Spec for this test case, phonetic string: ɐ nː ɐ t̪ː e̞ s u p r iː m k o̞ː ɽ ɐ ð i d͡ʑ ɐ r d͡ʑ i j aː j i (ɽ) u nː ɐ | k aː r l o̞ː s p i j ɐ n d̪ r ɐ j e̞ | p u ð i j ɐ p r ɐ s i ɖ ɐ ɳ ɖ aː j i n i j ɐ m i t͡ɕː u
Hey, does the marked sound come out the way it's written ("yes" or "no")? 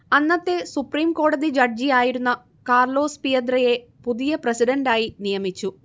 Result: no